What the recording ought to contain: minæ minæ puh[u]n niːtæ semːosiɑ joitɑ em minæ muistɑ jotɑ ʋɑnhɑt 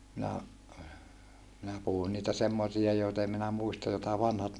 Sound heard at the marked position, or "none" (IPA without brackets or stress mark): u